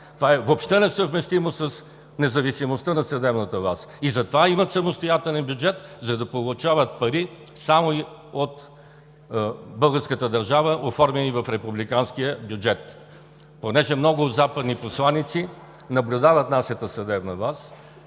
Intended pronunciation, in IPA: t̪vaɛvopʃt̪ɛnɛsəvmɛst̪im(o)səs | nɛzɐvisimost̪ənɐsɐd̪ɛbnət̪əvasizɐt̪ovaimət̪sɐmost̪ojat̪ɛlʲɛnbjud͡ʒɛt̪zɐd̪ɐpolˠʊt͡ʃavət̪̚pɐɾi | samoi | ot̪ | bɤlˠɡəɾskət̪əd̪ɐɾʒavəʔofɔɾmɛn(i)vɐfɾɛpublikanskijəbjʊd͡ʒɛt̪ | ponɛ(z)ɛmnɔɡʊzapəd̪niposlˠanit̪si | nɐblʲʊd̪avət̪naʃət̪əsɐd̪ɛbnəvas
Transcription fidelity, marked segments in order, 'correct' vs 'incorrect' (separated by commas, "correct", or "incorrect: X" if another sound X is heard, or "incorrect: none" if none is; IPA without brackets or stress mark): correct, correct, incorrect: ʒ